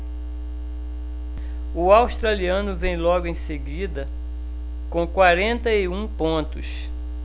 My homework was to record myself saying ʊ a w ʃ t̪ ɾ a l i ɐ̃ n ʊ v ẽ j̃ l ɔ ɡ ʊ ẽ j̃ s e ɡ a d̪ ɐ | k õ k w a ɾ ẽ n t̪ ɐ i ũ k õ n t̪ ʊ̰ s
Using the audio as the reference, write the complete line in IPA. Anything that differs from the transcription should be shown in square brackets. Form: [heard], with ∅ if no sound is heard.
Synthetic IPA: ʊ a w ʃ t̪ ɾ a l i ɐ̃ n ʊ v ẽ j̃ l ɔ ɡ ʊ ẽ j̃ s e ɡ [i] d̪ ɐ | k õ k w a ɾ ẽ n t̪ ɐ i ũ [p] õ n t̪ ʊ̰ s